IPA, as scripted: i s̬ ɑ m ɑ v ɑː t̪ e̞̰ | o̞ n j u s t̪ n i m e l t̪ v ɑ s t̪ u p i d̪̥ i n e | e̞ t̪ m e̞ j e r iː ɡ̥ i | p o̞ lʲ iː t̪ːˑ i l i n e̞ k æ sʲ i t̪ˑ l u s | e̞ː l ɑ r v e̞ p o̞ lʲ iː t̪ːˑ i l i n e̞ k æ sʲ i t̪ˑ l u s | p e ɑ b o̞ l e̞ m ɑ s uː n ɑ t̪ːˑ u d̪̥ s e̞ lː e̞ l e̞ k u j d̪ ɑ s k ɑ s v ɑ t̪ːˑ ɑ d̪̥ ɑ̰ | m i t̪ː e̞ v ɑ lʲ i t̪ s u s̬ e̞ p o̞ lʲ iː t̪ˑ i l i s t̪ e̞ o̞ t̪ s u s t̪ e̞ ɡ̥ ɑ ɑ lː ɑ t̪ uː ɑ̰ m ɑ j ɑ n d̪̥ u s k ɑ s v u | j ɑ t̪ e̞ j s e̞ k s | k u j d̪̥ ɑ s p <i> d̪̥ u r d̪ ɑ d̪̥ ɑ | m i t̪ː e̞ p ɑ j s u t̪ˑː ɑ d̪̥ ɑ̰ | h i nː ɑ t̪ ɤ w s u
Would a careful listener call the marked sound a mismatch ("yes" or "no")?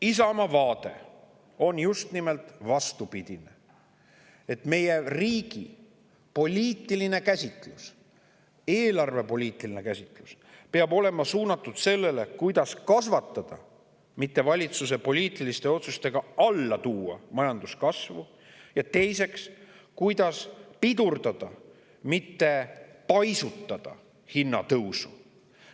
no